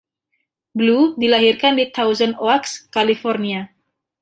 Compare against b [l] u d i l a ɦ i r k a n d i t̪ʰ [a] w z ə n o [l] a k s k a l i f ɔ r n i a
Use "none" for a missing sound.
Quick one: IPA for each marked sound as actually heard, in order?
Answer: l, a, none

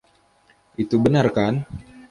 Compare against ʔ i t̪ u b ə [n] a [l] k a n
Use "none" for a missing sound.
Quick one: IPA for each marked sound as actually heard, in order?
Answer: n, r

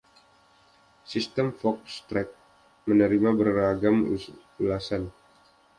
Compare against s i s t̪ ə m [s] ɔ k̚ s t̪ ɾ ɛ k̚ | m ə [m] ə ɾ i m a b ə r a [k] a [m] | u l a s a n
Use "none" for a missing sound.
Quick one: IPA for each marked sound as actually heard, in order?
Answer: f, n, ɡ, m

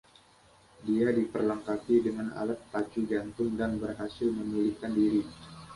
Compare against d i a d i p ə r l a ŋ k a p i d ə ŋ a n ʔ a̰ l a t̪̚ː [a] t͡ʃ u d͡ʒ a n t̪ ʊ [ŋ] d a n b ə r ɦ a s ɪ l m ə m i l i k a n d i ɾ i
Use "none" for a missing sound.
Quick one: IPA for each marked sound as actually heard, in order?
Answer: a, ŋ

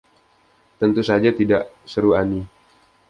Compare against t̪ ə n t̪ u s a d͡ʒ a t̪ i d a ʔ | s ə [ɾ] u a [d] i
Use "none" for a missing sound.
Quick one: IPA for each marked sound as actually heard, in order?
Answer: ɾ, n

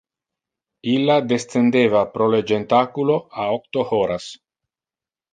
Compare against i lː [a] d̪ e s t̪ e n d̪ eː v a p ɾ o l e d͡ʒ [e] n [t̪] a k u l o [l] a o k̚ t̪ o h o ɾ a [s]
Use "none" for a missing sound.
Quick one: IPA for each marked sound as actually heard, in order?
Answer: a, e, t̪, none, s

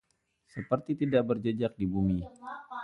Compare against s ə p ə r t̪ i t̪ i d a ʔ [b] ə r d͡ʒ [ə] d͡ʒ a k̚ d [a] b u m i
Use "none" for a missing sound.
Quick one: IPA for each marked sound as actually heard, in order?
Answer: b, ə, i

